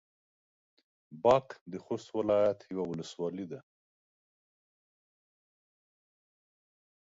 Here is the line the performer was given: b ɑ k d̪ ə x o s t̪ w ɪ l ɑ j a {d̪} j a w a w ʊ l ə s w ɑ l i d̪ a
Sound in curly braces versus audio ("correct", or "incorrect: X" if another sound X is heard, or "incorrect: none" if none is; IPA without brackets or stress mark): incorrect: t̪